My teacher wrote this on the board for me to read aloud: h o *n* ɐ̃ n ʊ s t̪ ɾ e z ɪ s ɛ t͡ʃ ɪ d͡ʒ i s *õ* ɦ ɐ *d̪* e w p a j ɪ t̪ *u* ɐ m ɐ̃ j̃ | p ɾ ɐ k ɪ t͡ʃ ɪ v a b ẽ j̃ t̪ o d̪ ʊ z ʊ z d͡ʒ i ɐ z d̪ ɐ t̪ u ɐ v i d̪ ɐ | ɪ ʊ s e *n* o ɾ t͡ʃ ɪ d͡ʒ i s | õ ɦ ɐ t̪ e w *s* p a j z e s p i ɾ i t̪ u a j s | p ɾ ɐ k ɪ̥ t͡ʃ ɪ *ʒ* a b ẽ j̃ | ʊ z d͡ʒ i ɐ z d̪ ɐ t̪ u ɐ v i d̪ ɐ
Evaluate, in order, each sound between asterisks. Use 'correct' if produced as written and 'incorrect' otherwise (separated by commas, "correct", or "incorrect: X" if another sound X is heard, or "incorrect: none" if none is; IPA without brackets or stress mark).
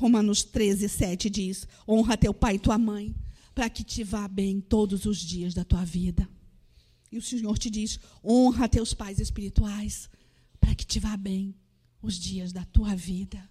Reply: incorrect: m, correct, incorrect: t̪, correct, incorrect: ɲ, correct, incorrect: v